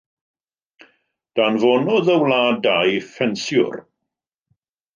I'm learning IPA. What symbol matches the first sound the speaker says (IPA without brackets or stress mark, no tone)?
d̥